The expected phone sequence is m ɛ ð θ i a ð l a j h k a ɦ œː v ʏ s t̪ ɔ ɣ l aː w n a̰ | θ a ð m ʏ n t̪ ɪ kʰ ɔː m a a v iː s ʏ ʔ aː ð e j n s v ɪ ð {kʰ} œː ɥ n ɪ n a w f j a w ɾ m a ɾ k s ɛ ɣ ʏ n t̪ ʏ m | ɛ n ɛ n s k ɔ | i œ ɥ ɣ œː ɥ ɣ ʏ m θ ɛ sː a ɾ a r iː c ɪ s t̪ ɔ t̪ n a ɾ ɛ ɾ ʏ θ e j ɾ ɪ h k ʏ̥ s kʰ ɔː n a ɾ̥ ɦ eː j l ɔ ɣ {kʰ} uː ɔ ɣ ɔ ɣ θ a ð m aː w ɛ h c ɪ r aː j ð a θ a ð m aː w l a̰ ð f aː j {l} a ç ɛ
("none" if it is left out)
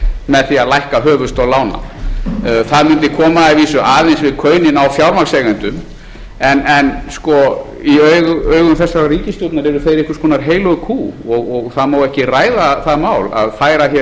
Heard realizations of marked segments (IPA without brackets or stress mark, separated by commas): kʰ, kʰ, ɾ